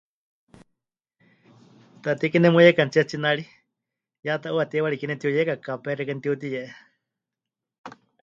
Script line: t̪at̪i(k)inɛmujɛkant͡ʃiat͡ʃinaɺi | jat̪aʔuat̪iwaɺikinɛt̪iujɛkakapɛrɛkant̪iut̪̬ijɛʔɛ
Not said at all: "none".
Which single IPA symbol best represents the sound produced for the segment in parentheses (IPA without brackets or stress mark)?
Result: k